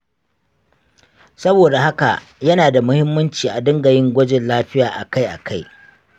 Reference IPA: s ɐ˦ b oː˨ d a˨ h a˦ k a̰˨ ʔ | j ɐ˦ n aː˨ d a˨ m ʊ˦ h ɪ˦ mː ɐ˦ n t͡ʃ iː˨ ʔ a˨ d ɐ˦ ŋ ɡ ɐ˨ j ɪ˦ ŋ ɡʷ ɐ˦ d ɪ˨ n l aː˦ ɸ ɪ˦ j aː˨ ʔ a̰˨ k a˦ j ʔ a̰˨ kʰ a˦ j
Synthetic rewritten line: s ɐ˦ b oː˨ d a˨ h a˦ k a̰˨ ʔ | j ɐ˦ n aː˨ d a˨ m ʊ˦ h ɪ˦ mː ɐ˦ n t͡ʃ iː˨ ʔ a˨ d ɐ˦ ŋ ɡ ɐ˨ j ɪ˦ ŋ ɡʷ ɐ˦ d͡ʒ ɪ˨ n l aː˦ ɸ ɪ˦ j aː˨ ʔ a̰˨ k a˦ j ʔ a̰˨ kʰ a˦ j